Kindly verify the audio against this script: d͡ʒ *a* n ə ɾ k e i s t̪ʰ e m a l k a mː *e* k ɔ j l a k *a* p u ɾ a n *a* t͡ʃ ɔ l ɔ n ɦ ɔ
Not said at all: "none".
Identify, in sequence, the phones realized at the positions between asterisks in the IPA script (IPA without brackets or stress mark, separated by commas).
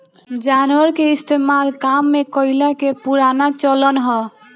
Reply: a, e, e, a